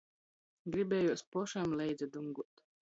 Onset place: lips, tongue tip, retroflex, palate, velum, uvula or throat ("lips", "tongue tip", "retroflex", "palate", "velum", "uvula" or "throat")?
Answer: velum